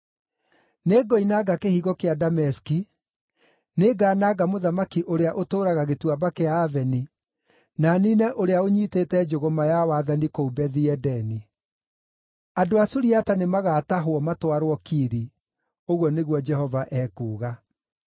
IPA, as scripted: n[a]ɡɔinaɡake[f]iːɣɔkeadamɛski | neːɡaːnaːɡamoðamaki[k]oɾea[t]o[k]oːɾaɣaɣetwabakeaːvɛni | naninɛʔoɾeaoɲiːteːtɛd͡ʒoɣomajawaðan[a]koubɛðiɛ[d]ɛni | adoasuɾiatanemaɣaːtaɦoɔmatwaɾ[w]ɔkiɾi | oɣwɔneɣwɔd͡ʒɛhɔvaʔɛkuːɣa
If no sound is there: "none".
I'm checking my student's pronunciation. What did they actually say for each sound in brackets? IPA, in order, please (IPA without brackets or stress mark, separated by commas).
e, h, ʔ, ʔ, t, i, d, w